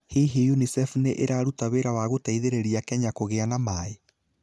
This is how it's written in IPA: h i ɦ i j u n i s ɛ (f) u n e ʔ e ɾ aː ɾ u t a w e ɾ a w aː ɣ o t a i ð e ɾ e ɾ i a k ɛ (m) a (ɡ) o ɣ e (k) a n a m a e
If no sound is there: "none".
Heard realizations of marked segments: f, ɲ, k, none

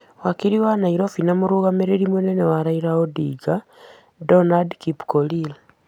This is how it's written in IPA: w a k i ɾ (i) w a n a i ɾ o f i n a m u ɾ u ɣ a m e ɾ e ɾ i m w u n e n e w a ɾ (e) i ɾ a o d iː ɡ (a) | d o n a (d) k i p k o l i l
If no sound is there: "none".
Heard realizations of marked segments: i, a, a, d

